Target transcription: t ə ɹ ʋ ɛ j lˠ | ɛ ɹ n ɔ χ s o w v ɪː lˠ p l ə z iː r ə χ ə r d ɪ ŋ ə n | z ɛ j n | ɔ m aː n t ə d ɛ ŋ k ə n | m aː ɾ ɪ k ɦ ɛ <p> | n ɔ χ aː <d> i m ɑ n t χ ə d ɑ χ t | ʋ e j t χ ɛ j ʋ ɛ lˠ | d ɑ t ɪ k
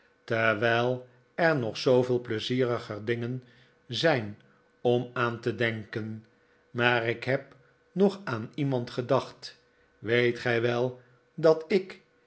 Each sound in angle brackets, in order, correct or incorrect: correct, incorrect: n

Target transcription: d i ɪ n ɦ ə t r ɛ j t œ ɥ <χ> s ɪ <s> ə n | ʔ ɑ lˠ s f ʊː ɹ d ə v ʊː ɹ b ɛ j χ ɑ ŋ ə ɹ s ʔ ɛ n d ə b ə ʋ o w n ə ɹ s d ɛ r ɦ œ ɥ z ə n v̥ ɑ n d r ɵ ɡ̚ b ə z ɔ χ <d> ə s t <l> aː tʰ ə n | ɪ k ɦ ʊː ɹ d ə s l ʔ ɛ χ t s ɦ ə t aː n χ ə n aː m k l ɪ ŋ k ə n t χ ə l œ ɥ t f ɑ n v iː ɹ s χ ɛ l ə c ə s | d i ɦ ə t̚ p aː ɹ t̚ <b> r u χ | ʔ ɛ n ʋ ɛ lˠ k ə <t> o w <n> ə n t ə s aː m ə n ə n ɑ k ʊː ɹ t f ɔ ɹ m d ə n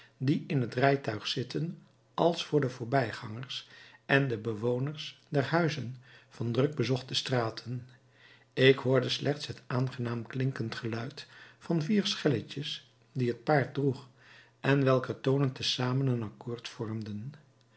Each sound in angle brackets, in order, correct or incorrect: correct, incorrect: t, incorrect: t, incorrect: r, incorrect: d, correct, correct

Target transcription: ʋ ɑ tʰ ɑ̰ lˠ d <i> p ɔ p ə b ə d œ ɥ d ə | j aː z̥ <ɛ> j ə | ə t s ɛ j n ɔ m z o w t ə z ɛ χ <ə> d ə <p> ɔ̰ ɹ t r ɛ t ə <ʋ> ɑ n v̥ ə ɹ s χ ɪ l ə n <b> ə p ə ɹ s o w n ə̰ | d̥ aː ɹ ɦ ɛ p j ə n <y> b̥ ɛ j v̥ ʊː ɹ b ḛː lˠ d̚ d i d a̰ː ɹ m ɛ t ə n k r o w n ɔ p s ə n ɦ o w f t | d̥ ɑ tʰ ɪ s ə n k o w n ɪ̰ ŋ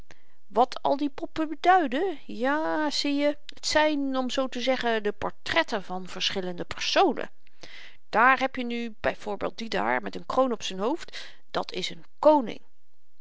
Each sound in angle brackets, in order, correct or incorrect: correct, incorrect: i, correct, correct, incorrect: v, incorrect: d, correct

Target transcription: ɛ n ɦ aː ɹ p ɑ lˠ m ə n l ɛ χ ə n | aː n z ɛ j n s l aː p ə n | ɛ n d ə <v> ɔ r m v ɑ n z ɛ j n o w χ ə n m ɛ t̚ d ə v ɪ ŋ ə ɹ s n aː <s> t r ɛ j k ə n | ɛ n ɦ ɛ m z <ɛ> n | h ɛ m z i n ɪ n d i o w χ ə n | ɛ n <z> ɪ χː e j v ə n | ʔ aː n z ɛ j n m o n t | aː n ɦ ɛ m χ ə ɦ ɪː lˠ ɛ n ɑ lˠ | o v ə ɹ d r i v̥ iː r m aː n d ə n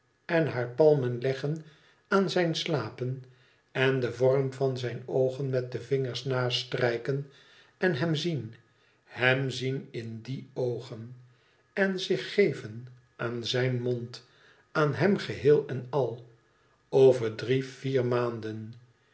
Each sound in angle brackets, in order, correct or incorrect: correct, correct, incorrect: i, correct

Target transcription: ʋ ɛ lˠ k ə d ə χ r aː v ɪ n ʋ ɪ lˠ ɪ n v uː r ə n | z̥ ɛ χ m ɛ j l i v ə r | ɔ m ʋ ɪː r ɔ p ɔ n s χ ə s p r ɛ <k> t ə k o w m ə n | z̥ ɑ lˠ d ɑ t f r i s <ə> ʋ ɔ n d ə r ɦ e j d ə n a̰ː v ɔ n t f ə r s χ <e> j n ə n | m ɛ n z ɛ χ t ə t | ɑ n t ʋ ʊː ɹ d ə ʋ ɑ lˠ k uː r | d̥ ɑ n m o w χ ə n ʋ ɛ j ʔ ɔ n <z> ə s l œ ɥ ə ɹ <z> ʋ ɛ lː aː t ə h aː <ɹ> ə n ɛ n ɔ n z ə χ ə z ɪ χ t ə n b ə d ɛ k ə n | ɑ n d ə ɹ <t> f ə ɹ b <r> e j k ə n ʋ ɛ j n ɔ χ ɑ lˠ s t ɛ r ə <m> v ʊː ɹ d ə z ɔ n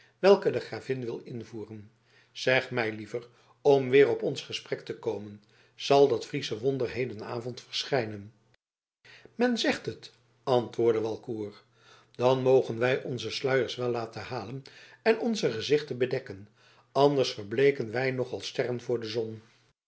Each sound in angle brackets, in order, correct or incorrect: correct, correct, incorrect: ɛ, correct, incorrect: s, incorrect: l, incorrect: s, incorrect: l, incorrect: n

